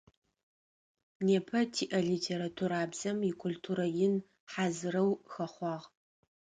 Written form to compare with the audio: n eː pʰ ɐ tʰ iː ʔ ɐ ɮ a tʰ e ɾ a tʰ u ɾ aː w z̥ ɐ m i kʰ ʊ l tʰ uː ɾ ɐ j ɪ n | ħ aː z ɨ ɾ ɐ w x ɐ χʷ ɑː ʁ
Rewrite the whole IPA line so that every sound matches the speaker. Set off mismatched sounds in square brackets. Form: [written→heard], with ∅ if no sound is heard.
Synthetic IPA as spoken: n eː pʰ ɐ tʰ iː ʔ ɐ ɮ [a→i] tʰ e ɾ a tʰ u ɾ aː [w→b] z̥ ɐ m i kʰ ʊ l tʰ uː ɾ ɐ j ɪ n | ħ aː z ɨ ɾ ɐ w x ɐ χʷ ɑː ʁ